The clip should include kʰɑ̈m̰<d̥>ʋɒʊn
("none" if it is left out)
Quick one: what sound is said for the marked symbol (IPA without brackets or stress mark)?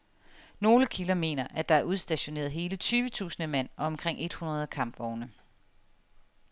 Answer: b̥